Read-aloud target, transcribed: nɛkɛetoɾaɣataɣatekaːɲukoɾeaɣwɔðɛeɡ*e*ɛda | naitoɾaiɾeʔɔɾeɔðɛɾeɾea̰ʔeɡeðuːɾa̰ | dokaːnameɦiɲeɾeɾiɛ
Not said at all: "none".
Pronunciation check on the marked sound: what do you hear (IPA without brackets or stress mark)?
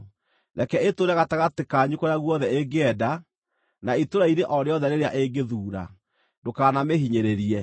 e